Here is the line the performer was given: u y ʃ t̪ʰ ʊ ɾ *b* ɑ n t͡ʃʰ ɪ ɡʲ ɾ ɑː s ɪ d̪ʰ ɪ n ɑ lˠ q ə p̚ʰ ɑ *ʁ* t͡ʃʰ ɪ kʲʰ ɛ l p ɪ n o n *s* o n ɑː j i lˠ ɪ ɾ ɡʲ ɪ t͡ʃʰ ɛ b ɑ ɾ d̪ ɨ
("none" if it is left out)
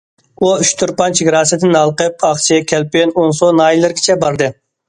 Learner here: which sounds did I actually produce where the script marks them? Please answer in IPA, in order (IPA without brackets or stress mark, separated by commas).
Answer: p, χ, s